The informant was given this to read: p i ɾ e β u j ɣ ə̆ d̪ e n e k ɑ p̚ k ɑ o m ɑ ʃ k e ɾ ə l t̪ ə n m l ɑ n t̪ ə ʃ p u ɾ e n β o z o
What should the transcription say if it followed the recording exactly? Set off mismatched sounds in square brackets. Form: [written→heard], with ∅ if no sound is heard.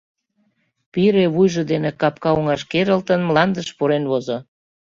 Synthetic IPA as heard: p i ɾ e β u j [ɣ→ʒ] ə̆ d̪ e n e k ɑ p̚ k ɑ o [m→ŋ] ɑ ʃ k e ɾ ə l t̪ ə n m l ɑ n [t̪→d̪] ə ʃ p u ɾ e n β o z o